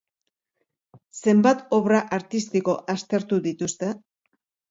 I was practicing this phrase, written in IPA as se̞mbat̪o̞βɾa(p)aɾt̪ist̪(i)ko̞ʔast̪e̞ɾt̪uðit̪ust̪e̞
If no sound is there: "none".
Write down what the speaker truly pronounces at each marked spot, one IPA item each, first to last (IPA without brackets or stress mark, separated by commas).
ʔ, i